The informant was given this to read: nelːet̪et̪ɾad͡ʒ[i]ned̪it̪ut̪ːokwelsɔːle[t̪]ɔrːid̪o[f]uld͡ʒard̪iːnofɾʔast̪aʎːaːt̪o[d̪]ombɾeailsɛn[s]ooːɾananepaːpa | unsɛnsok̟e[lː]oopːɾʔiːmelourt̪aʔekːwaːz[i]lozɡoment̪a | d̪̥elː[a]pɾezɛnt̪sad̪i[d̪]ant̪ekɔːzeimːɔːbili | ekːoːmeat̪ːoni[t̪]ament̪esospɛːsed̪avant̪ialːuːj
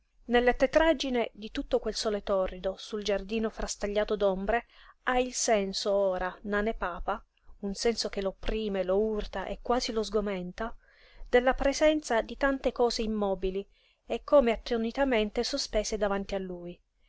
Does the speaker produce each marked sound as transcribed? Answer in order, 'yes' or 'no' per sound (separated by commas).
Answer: yes, yes, no, yes, yes, no, yes, yes, no, yes